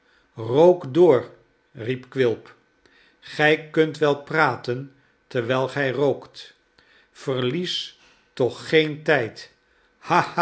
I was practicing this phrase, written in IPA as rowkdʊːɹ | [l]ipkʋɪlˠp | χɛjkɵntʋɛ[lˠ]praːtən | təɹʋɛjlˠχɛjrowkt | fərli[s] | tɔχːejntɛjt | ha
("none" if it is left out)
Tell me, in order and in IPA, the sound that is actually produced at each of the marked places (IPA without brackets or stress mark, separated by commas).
r, lˠ, s